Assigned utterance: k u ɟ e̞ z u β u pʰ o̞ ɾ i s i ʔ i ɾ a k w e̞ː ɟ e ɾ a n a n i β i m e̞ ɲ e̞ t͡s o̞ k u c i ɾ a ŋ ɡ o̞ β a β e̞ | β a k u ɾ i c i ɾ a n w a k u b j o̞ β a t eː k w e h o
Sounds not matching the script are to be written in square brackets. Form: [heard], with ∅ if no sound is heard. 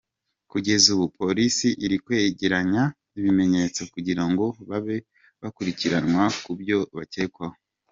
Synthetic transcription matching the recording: k u ɟ e̞ z u β u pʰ o̞ ɾ i s i ʔ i ɾ [i] k w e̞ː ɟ e ɾ a [ɲ] a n i β i m e̞ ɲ e̞ t͡s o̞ k u [ɟ] i ɾ a ŋ ɡ o̞ β a β e̞ | β a k u ɾ i c i ɾ a n w a k u b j o̞ β a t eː k w [a] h o